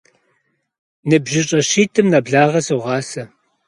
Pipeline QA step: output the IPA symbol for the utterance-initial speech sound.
n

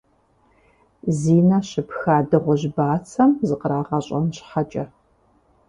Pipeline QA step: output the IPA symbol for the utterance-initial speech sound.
z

